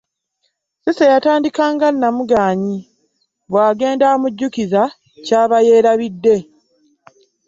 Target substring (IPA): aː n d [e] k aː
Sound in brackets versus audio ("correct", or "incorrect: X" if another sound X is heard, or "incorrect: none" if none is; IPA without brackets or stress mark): incorrect: i